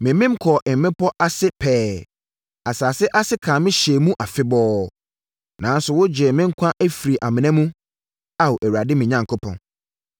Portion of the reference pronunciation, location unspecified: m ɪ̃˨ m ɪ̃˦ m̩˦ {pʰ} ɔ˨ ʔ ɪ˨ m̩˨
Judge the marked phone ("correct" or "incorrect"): incorrect